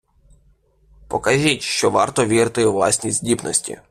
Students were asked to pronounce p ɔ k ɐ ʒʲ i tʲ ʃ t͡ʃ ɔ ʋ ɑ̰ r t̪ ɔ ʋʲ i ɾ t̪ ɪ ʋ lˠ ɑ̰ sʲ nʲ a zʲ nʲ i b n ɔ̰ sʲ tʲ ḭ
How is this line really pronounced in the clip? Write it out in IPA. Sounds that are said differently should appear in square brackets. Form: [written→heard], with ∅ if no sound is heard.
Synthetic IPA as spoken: p ɔ k ɐ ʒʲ i tʲ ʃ t͡ʃ ɔ ʋ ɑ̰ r t̪ ɔ ʋʲ i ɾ t̪ ɪ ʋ lˠ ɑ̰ sʲ nʲ [a→i] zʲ [nʲ→dʲ] i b n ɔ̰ sʲ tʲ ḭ